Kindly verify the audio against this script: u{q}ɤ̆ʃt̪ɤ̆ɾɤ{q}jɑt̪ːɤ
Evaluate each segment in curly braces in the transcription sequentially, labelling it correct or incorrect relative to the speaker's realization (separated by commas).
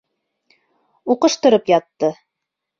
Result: correct, incorrect